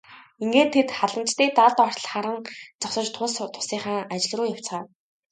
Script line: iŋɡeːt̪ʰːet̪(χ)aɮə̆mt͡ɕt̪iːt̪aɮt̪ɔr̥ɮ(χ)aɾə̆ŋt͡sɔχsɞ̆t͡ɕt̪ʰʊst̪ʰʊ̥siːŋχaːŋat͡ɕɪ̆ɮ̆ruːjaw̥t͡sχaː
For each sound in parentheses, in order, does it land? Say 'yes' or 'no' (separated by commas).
yes, yes